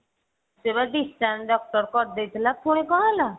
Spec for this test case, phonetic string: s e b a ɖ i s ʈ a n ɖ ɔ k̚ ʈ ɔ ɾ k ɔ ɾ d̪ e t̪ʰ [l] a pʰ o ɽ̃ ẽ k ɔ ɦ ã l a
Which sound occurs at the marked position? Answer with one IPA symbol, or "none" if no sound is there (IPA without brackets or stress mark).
l